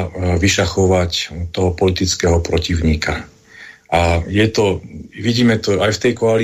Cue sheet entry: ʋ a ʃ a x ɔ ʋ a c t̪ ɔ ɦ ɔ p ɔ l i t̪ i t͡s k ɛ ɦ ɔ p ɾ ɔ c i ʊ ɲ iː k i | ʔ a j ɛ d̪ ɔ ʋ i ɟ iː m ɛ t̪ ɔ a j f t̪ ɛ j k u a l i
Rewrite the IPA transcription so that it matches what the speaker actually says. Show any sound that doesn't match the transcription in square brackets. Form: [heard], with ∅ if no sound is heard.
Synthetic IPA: ʋ [i] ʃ a x ɔ ʋ a c t̪ ɔ ɦ ɔ p ɔ l i t̪ i t͡s k ɛ ɦ ɔ p ɾ ɔ c i ʊ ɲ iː k [a] | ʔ a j ɛ [t̪] ɔ ʋ i ɟ iː m ɛ t̪ ɔ a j f t̪ ɛ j k [ɔ] a l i